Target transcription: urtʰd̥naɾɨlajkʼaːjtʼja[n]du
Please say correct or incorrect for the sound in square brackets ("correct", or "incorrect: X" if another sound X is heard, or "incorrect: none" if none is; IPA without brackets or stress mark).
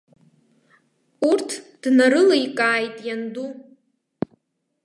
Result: correct